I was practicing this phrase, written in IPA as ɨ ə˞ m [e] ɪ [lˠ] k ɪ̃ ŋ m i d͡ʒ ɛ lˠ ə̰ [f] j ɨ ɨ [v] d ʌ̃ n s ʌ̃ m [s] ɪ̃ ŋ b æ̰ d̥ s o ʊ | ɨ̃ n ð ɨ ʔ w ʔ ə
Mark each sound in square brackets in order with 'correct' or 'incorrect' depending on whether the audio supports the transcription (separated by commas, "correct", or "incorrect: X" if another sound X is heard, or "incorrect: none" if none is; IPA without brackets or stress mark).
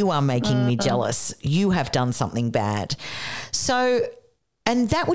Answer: correct, incorrect: none, incorrect: s, correct, incorrect: θ